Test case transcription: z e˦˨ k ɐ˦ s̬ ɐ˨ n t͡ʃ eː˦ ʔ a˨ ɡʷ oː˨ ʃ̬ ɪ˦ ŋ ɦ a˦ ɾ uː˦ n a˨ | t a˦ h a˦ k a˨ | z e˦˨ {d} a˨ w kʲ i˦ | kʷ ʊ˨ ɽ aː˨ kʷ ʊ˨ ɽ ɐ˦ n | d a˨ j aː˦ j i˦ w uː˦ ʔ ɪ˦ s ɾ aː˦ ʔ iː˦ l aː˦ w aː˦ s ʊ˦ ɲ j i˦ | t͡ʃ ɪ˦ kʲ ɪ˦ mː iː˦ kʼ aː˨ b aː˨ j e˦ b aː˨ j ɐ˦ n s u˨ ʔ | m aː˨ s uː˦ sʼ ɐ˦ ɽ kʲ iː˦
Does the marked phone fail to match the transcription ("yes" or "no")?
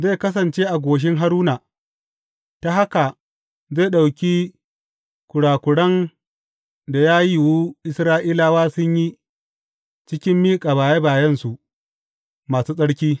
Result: yes